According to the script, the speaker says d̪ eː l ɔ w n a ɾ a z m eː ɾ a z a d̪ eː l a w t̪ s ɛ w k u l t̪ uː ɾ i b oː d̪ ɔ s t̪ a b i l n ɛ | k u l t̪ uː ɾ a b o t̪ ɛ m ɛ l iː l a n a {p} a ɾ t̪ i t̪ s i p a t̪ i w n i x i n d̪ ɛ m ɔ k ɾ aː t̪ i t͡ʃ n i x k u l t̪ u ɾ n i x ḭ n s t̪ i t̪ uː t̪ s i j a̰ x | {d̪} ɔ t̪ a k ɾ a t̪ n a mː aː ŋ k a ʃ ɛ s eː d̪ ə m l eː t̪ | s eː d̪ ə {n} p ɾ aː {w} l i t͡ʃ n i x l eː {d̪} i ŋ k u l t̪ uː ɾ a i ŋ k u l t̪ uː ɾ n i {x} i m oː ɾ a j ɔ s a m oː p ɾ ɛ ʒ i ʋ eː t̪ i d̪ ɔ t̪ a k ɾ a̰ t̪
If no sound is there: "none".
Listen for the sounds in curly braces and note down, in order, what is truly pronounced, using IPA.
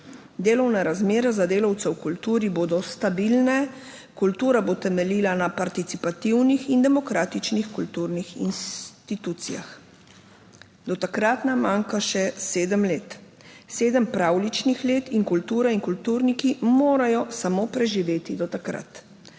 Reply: p, d̪, m, w, t̪, k

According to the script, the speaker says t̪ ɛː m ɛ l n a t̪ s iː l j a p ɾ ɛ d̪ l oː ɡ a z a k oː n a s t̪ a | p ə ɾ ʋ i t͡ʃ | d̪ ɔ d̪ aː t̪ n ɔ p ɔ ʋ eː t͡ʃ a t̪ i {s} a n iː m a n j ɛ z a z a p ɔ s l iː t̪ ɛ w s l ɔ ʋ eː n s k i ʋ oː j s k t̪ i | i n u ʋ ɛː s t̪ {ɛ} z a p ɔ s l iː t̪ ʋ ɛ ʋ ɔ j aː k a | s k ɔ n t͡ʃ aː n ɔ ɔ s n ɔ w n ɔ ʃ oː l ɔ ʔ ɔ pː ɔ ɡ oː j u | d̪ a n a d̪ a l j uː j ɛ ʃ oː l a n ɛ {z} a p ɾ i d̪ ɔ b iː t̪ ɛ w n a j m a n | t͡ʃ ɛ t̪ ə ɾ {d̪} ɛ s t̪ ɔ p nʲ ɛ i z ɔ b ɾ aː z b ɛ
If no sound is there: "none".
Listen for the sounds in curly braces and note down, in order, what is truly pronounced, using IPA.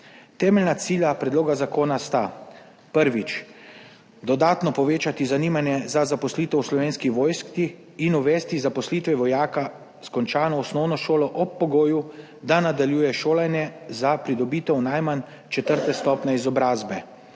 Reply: z, i, z, t̪

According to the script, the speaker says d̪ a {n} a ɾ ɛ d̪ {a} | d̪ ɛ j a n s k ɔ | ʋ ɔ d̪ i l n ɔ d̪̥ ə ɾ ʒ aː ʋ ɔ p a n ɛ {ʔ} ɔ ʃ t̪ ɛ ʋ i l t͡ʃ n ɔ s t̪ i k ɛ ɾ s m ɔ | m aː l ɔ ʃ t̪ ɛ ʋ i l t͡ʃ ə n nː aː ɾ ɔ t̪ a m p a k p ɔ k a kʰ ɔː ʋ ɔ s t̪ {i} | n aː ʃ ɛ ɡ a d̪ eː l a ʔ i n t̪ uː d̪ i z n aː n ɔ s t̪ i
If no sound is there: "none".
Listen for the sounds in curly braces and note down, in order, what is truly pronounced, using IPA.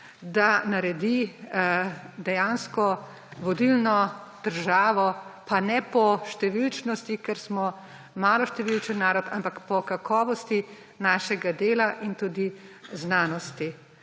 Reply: n, i, p, i

